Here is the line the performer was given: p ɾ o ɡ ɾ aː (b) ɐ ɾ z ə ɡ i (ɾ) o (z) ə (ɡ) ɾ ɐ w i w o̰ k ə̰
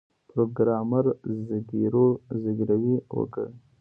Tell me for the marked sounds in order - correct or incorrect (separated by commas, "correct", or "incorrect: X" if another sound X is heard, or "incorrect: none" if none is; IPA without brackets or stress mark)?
incorrect: m, correct, correct, correct